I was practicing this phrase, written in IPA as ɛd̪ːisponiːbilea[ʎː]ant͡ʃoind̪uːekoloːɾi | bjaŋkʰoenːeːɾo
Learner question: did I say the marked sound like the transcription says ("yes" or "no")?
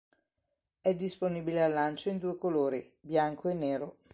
no